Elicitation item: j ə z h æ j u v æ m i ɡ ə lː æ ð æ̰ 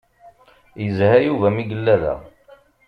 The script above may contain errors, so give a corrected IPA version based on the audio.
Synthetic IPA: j ə z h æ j u v æ m i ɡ ə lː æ ð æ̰